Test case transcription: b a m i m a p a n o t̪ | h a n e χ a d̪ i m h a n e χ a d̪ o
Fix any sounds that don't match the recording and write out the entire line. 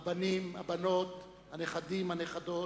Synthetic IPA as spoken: b a n i m a b a n o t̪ | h a n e χ a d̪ i m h a n e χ a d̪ o